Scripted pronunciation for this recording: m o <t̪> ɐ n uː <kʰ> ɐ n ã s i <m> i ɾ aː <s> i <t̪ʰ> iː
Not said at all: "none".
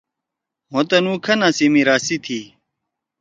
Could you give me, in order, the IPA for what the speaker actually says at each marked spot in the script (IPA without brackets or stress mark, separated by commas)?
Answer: t̪, kʰ, m, s, t̪ʰ